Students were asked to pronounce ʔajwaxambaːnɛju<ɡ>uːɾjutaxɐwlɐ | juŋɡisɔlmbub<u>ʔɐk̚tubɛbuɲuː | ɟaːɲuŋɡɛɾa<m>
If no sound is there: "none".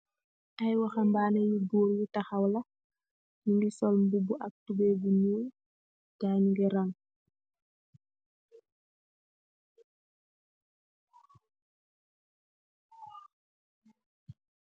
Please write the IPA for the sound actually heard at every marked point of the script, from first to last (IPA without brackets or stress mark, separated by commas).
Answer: b, u, ŋ